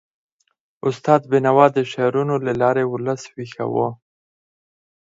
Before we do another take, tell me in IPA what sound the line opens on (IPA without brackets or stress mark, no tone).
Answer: ʊ